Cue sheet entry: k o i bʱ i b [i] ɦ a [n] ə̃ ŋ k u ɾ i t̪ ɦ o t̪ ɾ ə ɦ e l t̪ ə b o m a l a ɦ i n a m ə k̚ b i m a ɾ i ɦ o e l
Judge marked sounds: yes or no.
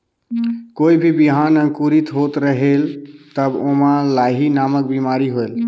yes, yes

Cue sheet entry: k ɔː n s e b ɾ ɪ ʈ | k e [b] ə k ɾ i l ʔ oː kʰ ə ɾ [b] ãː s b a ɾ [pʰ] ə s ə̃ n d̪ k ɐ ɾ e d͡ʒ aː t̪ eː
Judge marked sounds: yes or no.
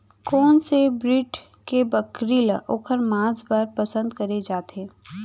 yes, no, no

